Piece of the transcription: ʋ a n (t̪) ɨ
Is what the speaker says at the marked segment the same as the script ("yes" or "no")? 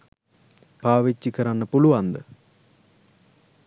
no